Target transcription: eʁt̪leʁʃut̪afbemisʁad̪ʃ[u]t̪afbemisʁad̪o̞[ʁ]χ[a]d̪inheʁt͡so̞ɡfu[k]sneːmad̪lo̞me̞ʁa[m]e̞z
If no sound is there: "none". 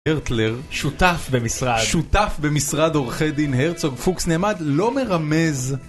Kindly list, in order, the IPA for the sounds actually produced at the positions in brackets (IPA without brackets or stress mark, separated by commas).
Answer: u, ʁ, e, k, m